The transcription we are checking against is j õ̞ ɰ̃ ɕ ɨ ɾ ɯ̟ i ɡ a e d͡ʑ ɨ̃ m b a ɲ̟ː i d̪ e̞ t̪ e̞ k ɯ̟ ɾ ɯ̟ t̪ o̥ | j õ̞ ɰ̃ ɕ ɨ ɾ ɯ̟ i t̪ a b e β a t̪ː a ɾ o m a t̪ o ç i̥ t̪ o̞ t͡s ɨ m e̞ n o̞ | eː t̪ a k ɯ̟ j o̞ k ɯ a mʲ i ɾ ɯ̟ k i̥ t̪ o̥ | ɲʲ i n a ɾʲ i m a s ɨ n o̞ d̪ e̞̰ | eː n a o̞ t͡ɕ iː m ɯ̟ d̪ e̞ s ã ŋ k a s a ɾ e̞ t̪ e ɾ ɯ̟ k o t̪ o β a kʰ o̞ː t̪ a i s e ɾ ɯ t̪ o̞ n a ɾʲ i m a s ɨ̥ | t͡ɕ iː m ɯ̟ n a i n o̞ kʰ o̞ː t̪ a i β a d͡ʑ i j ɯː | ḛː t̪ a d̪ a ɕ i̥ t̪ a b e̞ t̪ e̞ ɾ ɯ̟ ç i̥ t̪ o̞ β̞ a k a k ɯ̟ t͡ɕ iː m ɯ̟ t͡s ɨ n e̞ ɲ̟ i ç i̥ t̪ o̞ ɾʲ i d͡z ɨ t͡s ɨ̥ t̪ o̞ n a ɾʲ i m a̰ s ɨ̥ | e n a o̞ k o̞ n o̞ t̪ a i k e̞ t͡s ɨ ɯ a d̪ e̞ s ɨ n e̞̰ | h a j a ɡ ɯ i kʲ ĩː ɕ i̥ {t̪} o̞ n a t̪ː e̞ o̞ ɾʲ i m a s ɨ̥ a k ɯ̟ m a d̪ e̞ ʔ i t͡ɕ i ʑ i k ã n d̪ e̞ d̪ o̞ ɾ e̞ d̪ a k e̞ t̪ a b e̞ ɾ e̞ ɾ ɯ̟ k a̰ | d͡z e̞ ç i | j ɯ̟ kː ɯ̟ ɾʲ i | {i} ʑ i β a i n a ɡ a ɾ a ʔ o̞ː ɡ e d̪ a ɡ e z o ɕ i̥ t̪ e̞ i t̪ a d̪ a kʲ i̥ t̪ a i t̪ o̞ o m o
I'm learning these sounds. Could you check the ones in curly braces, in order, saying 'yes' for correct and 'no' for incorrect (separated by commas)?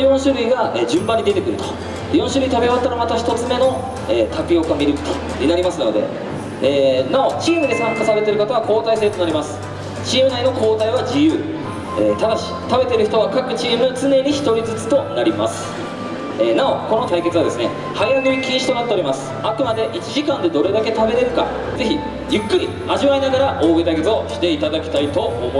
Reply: yes, no